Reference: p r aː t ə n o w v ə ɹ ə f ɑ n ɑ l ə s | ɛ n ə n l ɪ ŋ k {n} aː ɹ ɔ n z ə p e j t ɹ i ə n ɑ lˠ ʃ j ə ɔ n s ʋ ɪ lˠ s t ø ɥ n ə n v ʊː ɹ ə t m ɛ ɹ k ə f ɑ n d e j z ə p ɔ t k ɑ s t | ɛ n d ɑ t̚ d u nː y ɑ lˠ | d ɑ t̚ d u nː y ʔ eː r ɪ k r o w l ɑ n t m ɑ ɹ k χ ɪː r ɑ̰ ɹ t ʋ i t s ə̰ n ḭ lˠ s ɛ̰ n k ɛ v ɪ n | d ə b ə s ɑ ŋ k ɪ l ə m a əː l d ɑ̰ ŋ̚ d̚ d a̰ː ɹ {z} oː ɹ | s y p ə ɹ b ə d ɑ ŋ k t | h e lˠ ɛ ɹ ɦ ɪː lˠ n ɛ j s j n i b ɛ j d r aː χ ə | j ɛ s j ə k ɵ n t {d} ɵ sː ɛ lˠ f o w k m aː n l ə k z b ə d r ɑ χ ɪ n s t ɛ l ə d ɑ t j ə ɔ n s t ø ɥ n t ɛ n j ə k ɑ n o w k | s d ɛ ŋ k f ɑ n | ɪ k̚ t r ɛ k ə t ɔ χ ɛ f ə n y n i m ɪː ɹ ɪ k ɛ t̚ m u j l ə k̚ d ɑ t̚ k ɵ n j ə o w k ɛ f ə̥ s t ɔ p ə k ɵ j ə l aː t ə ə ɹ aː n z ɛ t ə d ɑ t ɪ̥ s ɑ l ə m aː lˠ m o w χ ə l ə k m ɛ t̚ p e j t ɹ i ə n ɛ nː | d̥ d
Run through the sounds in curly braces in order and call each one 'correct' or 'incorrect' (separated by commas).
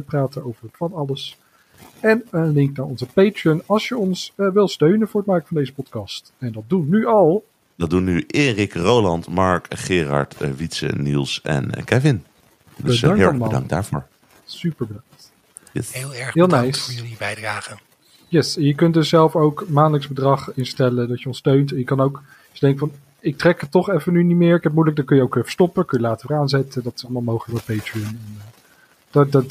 correct, incorrect, correct